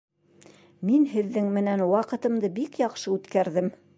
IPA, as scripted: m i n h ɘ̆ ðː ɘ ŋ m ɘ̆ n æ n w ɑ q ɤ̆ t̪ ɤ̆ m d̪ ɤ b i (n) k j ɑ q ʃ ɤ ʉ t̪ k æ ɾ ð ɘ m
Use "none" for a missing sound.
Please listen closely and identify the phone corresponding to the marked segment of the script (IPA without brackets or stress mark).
none